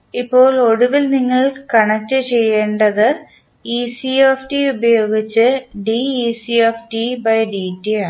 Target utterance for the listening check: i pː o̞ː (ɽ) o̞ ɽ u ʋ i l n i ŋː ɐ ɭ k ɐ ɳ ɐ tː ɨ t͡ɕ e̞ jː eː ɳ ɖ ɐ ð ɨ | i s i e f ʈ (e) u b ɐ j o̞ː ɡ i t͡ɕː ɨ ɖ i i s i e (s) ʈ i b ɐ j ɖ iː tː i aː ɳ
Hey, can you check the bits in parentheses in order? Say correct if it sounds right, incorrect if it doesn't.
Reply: incorrect: ɭ, incorrect: i, incorrect: f

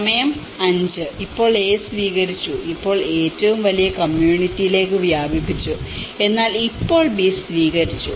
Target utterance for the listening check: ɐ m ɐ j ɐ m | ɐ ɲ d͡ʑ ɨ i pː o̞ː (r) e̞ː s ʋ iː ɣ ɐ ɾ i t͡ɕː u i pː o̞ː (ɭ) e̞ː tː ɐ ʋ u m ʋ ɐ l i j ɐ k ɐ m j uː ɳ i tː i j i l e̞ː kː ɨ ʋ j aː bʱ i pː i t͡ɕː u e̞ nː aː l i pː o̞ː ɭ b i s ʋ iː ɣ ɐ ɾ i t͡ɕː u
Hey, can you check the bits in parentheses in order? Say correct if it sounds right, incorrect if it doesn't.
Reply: incorrect: ɭ, correct

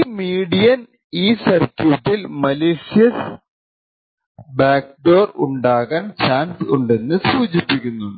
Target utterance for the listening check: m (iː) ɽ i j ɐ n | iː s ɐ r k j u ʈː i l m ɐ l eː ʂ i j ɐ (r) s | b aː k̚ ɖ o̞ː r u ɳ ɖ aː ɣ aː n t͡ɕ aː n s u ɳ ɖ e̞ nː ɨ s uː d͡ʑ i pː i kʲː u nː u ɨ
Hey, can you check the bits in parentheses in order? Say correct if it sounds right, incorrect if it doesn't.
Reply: correct, incorrect: none

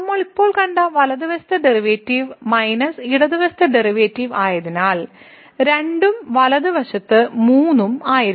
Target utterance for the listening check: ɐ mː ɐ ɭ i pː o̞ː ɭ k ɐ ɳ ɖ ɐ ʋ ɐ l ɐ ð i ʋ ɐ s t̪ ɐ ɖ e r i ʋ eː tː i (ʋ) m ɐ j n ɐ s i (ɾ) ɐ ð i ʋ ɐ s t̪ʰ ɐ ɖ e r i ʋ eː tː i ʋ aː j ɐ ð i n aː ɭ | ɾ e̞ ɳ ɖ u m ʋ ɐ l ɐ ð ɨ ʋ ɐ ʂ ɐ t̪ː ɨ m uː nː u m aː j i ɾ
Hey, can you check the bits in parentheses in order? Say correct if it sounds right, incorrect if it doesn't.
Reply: correct, incorrect: ɽ

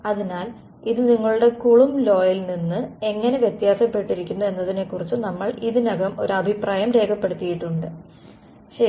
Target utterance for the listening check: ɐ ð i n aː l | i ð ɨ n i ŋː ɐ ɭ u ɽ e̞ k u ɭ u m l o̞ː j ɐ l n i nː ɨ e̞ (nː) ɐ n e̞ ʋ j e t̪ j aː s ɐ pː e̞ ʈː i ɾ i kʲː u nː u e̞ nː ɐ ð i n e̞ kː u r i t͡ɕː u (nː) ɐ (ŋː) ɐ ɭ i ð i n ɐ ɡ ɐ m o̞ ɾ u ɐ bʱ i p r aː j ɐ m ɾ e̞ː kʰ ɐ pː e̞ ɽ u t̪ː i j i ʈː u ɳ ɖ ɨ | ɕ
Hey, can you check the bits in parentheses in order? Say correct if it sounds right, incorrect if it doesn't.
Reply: incorrect: ŋː, incorrect: n, incorrect: mː

